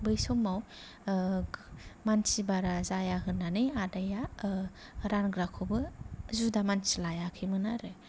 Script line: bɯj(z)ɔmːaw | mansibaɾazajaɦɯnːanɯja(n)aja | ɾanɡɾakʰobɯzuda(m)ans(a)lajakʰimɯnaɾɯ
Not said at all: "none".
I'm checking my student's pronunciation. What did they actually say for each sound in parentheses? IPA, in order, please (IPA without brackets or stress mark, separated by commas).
s, d, m, i